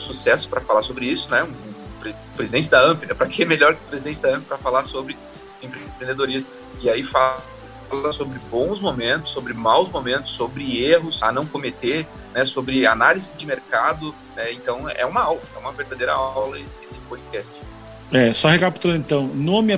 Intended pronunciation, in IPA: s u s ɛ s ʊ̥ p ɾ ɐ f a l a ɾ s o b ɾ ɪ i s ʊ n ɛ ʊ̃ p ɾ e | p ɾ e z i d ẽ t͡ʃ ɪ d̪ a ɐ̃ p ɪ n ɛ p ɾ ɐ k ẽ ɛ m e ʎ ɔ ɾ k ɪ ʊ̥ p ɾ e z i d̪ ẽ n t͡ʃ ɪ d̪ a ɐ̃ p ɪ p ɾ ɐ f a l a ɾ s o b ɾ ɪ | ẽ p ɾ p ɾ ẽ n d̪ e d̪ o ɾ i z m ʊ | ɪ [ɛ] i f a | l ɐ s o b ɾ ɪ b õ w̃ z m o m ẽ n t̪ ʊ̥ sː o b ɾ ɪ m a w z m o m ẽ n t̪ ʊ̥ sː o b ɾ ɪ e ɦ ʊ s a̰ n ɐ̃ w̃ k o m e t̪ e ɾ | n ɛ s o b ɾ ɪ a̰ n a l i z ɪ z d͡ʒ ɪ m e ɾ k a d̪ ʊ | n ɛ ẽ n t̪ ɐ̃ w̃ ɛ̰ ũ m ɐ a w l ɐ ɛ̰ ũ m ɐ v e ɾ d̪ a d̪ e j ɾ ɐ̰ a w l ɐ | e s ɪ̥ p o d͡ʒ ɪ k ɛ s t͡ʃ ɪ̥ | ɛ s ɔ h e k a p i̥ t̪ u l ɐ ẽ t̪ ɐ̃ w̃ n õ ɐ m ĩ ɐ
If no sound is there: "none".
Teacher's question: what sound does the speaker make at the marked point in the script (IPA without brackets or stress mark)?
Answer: a